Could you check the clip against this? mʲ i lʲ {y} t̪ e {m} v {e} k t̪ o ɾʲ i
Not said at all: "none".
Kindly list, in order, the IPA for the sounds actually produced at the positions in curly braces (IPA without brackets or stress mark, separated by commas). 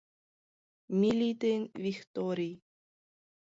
i, n, i